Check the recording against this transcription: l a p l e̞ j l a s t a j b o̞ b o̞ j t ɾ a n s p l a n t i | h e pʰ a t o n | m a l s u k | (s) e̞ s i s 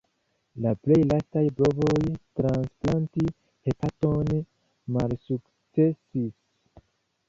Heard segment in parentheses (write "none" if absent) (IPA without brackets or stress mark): t͡s